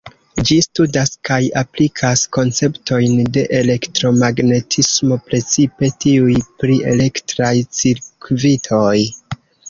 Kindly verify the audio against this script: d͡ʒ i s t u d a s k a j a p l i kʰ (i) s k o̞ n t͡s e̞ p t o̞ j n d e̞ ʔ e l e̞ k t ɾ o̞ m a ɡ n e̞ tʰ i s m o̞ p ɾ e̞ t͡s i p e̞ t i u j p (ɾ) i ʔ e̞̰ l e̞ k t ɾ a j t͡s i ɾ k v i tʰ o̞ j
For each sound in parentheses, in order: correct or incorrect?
incorrect, correct

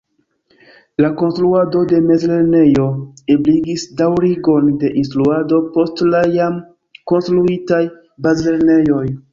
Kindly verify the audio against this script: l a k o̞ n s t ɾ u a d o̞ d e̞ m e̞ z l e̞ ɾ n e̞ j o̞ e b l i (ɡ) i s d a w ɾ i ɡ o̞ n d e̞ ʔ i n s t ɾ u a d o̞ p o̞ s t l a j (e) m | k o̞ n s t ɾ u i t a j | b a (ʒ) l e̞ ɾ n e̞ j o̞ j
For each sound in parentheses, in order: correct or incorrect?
correct, incorrect, incorrect

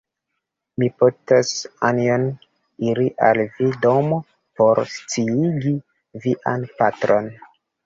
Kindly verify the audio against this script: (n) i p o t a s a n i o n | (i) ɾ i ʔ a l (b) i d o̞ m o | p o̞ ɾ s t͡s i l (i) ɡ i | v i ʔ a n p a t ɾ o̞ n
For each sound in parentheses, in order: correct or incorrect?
incorrect, correct, incorrect, correct

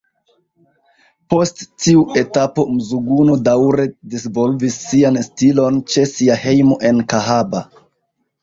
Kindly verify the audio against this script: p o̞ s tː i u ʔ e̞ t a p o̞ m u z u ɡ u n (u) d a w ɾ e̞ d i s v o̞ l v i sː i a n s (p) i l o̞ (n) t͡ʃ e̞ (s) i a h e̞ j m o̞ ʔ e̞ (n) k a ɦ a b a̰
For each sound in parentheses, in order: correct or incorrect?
incorrect, incorrect, correct, correct, correct

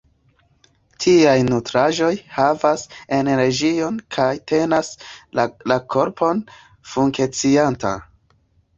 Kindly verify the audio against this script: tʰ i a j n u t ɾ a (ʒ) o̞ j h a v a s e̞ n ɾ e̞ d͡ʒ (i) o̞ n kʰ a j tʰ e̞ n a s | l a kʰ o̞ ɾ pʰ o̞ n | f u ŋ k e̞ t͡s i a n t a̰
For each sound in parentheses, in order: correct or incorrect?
correct, correct

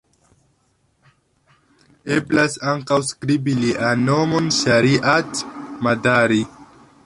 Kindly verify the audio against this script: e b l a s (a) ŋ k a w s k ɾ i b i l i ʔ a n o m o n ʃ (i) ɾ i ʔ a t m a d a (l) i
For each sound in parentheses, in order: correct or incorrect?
correct, incorrect, incorrect

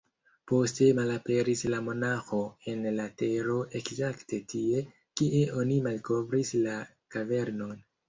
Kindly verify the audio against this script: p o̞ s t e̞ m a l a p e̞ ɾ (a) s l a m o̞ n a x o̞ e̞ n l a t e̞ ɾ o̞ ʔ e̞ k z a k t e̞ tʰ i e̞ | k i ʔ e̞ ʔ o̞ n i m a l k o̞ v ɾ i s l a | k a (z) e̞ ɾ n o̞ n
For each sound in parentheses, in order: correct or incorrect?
incorrect, incorrect

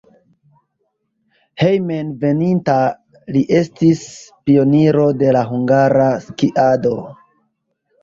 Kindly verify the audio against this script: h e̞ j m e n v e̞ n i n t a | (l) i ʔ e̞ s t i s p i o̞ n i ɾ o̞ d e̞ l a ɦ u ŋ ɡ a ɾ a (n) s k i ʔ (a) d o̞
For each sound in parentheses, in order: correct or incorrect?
correct, incorrect, correct

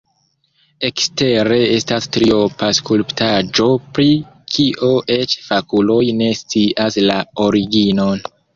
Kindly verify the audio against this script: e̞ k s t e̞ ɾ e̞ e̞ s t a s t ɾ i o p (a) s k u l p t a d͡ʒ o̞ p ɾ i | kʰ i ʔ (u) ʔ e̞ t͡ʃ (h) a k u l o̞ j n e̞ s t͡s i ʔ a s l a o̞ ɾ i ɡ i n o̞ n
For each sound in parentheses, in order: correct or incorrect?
correct, incorrect, incorrect

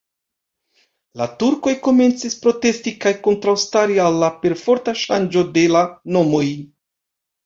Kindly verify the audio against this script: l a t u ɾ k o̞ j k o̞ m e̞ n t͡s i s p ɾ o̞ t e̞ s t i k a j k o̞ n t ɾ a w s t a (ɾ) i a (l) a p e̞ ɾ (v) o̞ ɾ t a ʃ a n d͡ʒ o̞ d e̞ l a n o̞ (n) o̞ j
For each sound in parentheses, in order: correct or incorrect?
correct, incorrect, incorrect, incorrect

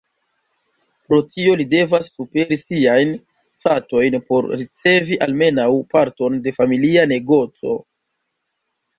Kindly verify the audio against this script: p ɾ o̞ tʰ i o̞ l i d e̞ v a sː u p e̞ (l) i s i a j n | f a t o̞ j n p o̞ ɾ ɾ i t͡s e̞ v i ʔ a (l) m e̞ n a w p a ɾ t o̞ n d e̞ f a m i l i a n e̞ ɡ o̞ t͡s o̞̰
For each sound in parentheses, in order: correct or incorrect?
incorrect, correct

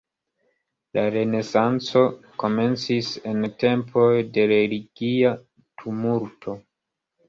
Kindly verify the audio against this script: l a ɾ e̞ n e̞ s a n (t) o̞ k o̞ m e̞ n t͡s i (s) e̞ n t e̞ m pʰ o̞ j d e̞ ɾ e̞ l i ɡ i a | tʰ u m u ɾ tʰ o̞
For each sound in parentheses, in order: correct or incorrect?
incorrect, correct

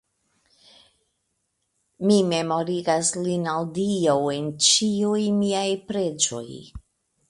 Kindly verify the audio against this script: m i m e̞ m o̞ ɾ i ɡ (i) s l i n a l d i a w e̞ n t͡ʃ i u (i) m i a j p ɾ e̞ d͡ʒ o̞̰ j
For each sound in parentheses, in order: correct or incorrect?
incorrect, incorrect

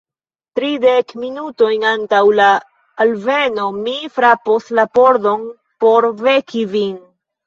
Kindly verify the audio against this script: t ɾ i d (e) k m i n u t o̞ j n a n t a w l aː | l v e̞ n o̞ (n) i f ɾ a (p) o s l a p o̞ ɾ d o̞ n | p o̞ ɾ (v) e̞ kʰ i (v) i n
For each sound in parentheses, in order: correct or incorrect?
correct, incorrect, correct, correct, correct

